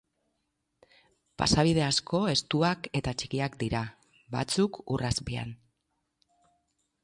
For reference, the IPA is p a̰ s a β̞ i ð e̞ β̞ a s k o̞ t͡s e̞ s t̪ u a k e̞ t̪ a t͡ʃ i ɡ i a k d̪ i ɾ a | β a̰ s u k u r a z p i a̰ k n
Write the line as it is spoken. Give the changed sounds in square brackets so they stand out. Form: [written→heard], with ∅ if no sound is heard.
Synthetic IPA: p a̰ s a β̞ i ð e̞ [β̞→∅] a s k o̞ [t͡s→∅] e̞ s t̪ u a k e̞ t̪ a t͡ʃ i [ɡ→k] i a k d̪ i ɾ a | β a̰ [s→t͡s] u k u r a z p i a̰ [k→∅] n